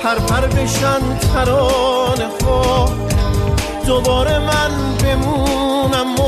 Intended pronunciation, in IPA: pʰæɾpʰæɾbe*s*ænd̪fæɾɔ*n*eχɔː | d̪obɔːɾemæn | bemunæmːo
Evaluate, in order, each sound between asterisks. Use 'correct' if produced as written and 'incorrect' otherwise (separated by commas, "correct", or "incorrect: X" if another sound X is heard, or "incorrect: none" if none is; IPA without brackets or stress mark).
incorrect: ʃ, correct